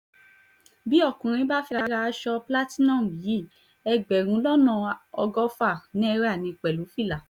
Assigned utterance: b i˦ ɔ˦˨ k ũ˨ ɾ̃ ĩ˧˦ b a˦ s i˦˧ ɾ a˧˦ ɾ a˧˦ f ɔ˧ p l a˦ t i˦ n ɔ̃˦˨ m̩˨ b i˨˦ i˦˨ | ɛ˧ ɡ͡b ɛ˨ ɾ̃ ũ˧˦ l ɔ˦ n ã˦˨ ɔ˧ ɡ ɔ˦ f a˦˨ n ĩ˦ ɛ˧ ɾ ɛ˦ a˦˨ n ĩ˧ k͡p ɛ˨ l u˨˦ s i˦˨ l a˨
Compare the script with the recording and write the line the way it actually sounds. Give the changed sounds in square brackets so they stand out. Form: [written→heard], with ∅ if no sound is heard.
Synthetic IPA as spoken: b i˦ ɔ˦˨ k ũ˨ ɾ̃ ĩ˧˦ b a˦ [s→f] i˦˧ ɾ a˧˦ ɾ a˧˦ [f→ʃ] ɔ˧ p l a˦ t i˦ n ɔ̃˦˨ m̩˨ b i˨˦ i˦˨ | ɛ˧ ɡ͡b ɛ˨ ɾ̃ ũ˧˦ l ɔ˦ n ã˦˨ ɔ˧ ɡ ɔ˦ f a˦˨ n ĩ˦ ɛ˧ ɾ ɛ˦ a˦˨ n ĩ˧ k͡p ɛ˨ l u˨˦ [s→f] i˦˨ l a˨